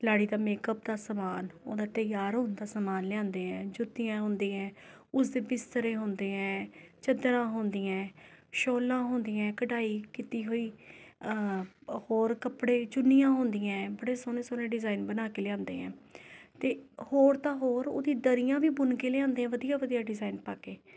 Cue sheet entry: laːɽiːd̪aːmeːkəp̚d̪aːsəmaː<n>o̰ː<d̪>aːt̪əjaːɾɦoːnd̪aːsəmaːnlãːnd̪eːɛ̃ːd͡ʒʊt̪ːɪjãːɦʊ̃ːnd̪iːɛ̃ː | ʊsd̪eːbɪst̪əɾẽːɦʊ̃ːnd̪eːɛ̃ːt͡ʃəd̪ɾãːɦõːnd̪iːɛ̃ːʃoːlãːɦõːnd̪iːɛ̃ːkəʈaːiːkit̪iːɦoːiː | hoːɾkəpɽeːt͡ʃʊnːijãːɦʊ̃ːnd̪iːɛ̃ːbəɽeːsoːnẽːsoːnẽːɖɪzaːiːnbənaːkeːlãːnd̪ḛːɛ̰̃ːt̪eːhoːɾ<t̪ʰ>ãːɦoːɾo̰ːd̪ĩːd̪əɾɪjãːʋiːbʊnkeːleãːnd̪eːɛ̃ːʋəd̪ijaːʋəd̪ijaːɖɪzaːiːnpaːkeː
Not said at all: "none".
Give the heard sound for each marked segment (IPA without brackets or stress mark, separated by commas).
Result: n, d̪, t̪